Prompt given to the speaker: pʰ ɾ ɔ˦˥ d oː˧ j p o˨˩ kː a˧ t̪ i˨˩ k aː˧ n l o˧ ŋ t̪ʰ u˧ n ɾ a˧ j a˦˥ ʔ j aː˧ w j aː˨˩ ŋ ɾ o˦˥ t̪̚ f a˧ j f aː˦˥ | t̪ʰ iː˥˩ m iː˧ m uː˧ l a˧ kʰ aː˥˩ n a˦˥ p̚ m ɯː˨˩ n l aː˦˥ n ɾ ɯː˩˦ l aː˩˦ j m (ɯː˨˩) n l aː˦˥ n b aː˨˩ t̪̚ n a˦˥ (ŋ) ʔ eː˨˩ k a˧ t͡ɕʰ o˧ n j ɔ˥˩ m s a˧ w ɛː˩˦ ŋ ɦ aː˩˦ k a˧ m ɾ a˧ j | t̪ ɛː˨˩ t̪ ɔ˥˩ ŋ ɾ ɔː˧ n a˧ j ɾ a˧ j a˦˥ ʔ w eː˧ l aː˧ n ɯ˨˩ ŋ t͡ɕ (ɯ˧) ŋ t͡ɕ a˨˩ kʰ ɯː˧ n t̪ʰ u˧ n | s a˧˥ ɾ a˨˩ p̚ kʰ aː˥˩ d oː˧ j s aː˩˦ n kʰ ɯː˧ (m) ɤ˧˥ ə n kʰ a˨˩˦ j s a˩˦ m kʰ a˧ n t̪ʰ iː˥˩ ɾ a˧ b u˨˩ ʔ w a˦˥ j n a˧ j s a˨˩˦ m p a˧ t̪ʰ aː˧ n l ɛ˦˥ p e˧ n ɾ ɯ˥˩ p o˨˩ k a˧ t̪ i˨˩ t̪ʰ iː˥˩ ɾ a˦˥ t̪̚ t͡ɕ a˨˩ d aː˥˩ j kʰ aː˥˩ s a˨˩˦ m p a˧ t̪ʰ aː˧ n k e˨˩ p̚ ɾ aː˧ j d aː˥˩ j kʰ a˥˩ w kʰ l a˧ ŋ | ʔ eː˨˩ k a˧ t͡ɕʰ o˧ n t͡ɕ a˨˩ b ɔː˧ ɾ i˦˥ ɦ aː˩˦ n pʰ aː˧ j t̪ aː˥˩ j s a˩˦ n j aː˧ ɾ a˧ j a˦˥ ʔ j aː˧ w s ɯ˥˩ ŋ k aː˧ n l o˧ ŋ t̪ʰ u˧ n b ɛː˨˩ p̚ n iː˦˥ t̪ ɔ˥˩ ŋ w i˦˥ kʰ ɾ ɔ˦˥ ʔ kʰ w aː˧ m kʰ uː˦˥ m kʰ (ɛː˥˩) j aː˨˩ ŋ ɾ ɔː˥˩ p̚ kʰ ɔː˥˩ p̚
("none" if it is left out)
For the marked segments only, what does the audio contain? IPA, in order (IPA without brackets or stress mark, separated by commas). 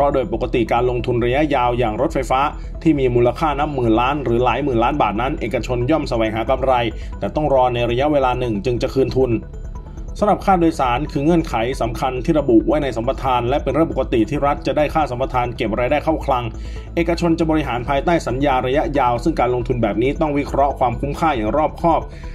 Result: ɯː˨˩, n, ɯ˧, ŋ, aː˥˩